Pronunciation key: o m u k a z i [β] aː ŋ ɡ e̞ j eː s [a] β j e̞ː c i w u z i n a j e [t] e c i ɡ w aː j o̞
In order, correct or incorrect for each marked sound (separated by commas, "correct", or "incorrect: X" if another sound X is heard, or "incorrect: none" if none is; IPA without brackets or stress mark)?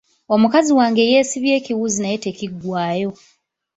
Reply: incorrect: w, incorrect: i, correct